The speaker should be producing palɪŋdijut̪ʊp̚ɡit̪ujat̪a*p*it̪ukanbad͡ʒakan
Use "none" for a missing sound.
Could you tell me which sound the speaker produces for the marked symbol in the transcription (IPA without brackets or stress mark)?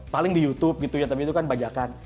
p